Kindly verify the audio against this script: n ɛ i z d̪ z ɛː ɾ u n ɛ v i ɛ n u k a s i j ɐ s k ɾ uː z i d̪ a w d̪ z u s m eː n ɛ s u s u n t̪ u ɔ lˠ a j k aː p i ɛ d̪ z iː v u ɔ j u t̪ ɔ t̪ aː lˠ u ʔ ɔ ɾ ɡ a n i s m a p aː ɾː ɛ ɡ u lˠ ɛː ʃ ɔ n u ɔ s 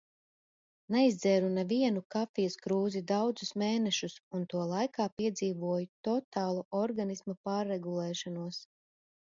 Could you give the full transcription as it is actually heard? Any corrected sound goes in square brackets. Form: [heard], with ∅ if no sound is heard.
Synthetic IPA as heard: n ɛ i z d̪ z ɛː ɾ u n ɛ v i ɛ n u k a [f] i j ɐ s k ɾ uː z i d̪ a w d̪ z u s m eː n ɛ [ʃ] u s u n t̪ u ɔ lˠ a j k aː p i ɛ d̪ z iː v u ɔ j u t̪ ɔ t̪ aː lˠ u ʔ ɔ ɾ ɡ a n i s m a p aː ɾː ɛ ɡ u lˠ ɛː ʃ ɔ n u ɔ s

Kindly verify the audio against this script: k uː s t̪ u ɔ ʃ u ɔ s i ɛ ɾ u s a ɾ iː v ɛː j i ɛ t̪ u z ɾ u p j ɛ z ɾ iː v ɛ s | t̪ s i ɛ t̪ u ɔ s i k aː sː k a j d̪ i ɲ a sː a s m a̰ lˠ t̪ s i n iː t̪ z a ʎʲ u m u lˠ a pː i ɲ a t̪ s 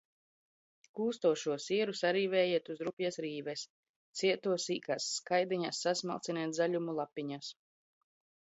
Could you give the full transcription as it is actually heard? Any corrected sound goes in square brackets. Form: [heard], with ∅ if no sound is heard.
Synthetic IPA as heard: k uː s t̪ u ɔ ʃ u ɔ s i ɛ ɾ u s a ɾ iː v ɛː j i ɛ t̪ u z ɾ u p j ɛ [s] ɾ iː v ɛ s | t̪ s i ɛ t̪ u ɔ s [iː] k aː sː k a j d̪ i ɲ a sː a s m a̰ lˠ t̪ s i n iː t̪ z a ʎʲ u m u lˠ a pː i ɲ a [∅] s

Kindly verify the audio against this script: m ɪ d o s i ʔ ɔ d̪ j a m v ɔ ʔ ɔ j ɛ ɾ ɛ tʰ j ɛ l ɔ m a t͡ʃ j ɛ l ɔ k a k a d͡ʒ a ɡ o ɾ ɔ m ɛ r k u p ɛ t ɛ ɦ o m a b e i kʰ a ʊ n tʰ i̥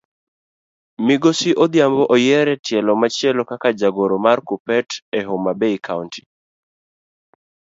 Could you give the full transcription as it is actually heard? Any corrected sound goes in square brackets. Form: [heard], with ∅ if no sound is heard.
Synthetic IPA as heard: m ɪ [ɡ] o s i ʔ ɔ d̪ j a m [b] ɔ ʔ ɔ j ɛ ɾ ɛ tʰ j ɛ l ɔ m a t͡ʃ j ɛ l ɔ k a k a d͡ʒ a ɡ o ɾ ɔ m [a] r k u p ɛ t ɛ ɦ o m a b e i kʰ a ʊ n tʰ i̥

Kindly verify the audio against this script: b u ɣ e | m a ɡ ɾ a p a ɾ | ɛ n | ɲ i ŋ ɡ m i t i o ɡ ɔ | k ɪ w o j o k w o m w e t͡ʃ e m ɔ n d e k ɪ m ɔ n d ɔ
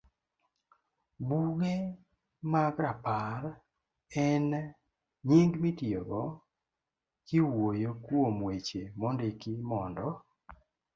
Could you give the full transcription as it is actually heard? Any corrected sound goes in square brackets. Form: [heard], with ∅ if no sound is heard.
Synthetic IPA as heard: b u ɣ e | m a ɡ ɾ a p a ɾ | ɛ n | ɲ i ŋ ɡ m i t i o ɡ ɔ | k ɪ w o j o k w o m w e t͡ʃ e m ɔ n d e k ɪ m ɔ n d ɔ

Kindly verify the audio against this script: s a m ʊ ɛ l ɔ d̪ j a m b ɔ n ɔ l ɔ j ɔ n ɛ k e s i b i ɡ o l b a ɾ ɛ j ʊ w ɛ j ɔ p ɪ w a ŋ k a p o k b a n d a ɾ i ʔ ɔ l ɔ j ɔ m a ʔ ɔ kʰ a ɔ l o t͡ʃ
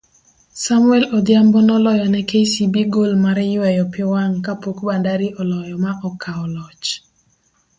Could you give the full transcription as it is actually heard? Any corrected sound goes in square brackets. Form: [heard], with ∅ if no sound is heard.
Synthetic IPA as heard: s a m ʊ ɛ l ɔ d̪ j a m b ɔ n ɔ l ɔ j ɔ n ɛ k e s i b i ɡ o l [m] a ɾ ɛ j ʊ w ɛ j ɔ p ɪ w a ŋ k a p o k b a n d a ɾ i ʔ ɔ l ɔ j ɔ m a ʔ ɔ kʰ a ɔ l [ɔ] t͡ʃ

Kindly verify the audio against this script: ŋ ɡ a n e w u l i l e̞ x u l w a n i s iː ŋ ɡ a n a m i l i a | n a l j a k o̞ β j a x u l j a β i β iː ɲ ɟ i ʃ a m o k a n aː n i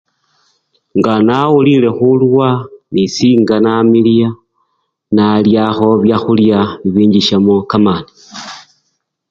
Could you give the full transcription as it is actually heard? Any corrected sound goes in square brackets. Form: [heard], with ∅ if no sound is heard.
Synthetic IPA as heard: ŋ ɡ a n [a] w u l i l e̞ x u l w a n i s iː ŋ ɡ a n a m i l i a | n a l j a [x] o̞ β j a x u l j a β i β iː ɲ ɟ i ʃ a m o k a [m] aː n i

